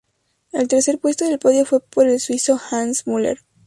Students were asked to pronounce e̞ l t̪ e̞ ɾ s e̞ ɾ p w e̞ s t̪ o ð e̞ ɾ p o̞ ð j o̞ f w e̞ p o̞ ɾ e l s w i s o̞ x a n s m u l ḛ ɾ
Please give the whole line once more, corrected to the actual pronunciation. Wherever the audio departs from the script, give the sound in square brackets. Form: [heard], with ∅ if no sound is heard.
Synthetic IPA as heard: e̞ l t̪ e̞ ɾ s e̞ ɾ p w e̞ s t̪ o ð e̞ [l] p o̞ ð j o̞ f w e̞ p o̞ ɾ e l s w i s o̞ x a n s m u l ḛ ɾ